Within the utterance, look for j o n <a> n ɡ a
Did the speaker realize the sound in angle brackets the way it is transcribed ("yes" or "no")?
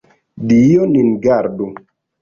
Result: no